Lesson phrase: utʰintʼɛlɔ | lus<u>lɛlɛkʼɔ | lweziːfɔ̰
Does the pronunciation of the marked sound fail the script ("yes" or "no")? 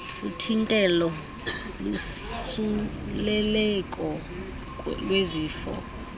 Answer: no